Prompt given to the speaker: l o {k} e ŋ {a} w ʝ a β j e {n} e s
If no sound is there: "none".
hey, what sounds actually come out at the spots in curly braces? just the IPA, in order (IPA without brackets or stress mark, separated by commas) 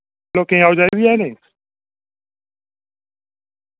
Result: k, a, n